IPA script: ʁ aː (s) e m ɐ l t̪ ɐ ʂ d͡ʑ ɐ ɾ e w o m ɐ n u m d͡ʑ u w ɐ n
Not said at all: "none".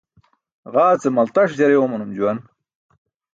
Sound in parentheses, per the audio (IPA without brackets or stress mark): t͡s